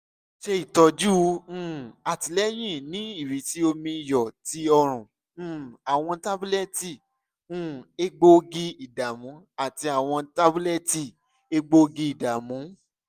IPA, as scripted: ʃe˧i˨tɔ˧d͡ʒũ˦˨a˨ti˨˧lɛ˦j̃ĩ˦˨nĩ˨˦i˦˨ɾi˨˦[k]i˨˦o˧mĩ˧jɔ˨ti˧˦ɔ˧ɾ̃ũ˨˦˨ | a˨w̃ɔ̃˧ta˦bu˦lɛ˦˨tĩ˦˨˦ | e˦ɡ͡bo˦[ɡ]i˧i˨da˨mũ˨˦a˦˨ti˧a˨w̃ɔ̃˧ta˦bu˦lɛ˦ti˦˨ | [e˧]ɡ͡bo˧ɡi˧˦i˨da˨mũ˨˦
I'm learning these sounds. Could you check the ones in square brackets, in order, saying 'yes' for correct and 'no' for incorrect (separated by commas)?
no, yes, yes